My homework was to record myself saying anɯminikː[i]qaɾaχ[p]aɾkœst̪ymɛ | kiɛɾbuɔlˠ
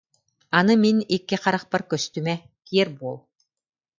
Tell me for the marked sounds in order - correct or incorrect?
correct, correct

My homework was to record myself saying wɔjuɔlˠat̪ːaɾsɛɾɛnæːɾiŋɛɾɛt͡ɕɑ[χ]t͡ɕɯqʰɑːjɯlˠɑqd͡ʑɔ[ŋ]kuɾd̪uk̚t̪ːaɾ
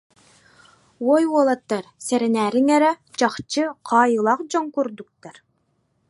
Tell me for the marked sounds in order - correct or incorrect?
correct, correct

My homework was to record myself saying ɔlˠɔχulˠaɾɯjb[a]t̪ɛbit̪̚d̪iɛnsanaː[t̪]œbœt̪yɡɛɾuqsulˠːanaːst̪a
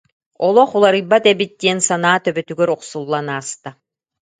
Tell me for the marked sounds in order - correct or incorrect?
correct, correct

